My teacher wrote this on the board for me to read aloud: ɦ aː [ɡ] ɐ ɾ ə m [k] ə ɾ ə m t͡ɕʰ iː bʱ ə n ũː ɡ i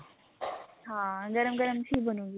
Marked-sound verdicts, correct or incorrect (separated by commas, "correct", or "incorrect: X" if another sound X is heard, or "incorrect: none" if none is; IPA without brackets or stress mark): correct, incorrect: ɡ